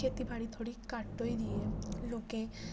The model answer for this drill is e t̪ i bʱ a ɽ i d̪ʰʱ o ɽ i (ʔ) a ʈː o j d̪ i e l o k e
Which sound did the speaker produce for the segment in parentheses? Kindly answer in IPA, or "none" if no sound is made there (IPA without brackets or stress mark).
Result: k